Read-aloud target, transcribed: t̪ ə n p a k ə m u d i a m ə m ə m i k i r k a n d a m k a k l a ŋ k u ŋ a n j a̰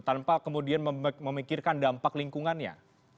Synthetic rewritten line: t̪ a n p a k ə m u d i a n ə m ə m i k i r k a n d a m p a k l i ŋ k u ŋ a n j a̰